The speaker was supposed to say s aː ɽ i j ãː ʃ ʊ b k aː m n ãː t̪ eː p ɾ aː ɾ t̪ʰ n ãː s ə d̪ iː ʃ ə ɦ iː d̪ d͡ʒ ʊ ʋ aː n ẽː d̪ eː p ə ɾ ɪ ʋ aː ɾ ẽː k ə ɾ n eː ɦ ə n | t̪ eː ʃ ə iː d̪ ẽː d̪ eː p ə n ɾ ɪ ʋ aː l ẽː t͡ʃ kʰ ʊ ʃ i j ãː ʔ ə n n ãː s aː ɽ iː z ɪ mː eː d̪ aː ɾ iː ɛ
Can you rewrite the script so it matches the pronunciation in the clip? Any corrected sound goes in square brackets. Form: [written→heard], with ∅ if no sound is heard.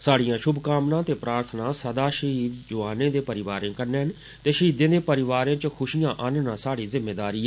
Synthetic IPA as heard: s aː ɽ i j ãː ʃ ʊ b k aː m n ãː t̪ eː p ɾ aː ɾ t̪ʰ n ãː s ə d̪ [iː→aː] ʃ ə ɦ iː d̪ d͡ʒ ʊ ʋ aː n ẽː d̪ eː p ə ɾ ɪ ʋ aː ɾ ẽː k ə ɾ n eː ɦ ə n | t̪ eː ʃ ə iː d̪ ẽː d̪ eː p ə [n→∅] ɾ ɪ ʋ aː [l→ɾ] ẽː t͡ʃ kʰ ʊ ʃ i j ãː ʔ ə n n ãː s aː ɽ iː z ɪ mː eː d̪ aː ɾ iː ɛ